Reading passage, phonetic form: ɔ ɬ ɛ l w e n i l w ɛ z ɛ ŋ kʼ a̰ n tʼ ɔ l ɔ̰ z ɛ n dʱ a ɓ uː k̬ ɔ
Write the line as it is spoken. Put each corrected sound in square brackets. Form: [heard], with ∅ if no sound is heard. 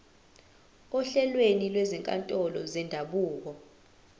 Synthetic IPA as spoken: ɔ ɬ ɛ l w e n i l w ɛ z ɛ ŋ kʼ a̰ n tʼ ɔ l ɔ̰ z ɛ n dʱ a ɓ uː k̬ ɔ

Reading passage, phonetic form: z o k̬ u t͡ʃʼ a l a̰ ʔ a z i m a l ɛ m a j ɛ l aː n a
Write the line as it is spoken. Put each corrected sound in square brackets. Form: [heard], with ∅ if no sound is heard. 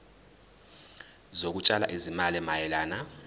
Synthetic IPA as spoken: z o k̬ u t͡ʃʼ a l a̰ ʔ [i] z i m a l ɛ m a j ɛ l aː n a

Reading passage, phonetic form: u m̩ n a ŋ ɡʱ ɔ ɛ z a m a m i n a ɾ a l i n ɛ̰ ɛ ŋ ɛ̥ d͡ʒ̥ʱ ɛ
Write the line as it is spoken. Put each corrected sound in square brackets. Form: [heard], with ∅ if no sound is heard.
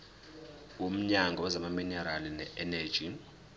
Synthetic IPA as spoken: u m̩ [ɲ] a ŋ ɡʱ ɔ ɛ z a m a m i n [ɛ] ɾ a l i n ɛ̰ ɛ [n] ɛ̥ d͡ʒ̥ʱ [i]

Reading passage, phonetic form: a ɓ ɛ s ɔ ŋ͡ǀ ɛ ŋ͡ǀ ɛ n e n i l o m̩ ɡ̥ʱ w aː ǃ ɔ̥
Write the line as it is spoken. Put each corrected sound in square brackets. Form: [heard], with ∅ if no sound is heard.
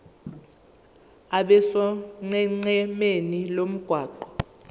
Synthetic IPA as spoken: a ɓ ɛ s ɔ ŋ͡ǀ ɛ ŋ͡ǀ ɛ [m] e n i l o m̩ ɡ̥ʱ w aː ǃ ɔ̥

